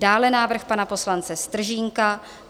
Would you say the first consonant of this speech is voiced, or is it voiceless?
voiced